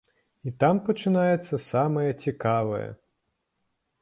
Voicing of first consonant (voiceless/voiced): voiceless